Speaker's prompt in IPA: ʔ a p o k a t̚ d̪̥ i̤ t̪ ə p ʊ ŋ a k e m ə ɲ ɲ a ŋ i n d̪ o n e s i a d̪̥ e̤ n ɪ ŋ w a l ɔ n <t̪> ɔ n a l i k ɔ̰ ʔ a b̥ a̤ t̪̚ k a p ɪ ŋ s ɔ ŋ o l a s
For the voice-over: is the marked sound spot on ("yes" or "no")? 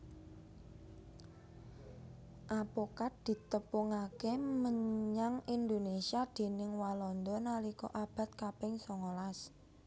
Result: no